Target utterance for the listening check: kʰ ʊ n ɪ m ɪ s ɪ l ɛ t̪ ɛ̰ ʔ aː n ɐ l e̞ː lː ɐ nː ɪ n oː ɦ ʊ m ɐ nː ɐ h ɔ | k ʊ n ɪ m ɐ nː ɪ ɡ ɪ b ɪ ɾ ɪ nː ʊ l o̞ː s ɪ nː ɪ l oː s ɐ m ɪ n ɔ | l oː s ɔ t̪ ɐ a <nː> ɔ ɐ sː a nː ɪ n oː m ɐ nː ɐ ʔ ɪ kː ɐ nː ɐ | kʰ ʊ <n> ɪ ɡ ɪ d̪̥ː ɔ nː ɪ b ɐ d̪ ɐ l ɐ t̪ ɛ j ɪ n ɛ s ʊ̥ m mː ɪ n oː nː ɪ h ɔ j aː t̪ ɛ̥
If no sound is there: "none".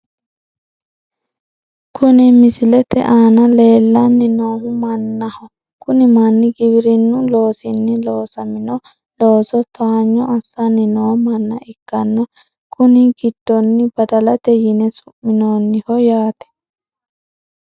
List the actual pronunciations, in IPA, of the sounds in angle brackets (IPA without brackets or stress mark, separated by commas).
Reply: ɲː, n